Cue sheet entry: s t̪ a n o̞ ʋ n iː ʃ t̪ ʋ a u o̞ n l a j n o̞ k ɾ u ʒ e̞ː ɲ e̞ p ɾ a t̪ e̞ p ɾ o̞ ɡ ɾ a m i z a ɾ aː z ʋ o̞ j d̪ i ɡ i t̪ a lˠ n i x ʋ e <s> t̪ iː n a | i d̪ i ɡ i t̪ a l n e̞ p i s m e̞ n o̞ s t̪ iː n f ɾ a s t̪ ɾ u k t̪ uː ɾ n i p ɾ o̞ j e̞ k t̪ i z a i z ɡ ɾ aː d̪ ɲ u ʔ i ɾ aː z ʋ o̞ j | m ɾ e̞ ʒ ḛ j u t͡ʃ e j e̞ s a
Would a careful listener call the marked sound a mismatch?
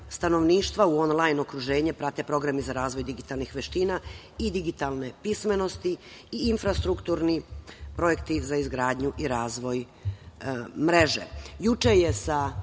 yes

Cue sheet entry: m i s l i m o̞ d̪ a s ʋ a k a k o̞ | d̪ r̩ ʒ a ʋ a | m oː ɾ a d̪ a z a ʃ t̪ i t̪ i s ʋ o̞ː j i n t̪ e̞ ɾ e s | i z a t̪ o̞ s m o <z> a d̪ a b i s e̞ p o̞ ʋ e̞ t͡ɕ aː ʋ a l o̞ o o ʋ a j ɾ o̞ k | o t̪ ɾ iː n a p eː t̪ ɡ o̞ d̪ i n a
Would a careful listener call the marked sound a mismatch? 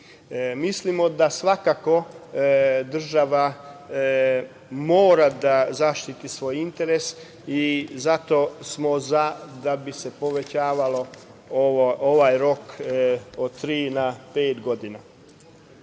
no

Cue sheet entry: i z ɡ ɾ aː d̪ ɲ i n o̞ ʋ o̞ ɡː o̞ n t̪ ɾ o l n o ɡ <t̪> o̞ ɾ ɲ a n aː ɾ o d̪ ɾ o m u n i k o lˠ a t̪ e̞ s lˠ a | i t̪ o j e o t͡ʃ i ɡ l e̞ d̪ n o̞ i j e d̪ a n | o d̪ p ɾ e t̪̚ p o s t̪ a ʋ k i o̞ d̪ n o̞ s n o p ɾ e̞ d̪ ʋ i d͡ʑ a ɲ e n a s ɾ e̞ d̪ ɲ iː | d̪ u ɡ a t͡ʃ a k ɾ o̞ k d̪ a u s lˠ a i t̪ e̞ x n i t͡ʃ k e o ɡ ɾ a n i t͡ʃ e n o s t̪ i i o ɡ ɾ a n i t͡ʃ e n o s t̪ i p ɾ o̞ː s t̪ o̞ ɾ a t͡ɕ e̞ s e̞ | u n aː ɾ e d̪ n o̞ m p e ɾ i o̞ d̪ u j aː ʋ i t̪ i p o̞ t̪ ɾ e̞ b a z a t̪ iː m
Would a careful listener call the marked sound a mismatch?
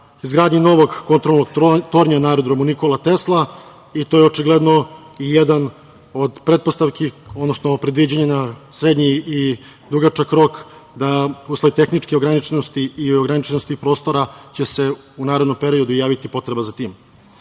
no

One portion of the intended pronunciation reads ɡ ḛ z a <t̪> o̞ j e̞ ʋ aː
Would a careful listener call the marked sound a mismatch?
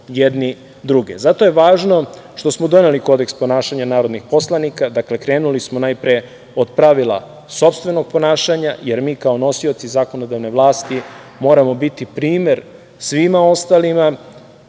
no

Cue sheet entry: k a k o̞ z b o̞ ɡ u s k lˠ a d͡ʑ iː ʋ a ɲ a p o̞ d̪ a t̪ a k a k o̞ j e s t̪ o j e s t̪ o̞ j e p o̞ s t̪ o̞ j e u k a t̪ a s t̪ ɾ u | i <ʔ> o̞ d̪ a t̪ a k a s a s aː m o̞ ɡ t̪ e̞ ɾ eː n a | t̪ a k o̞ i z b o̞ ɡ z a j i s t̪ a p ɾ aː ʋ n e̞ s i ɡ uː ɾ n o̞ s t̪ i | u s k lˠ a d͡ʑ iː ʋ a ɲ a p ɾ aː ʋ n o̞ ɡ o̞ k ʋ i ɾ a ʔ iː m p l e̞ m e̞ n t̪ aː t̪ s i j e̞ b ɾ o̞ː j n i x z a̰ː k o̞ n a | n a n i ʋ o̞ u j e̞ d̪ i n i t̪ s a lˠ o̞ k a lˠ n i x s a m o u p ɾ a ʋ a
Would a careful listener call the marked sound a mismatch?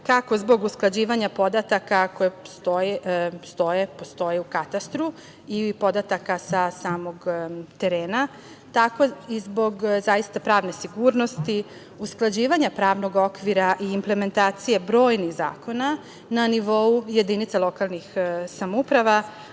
yes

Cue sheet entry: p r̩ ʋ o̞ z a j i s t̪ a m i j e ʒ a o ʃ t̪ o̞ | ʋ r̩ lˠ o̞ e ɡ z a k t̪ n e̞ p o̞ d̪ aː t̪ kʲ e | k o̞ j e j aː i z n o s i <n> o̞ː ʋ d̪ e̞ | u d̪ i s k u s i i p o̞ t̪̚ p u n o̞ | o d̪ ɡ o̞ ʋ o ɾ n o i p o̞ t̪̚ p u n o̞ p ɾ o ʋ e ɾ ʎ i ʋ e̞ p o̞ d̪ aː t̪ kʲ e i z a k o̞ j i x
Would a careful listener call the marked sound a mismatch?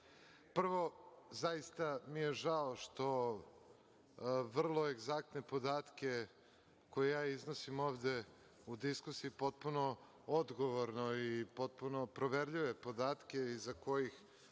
yes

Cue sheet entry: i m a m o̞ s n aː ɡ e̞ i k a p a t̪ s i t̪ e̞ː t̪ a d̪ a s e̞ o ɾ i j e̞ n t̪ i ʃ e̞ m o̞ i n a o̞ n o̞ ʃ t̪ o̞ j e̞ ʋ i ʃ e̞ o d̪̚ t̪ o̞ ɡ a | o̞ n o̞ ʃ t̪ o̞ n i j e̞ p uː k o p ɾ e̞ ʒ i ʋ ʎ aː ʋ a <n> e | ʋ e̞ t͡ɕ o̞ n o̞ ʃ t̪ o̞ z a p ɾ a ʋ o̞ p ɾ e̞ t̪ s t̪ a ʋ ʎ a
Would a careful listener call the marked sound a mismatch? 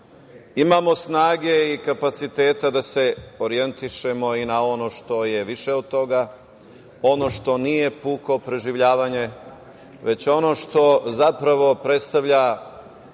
yes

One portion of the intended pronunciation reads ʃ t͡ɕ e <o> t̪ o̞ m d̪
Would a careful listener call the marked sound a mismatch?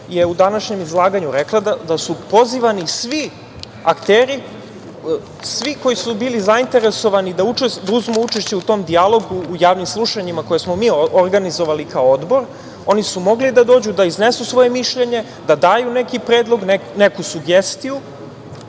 yes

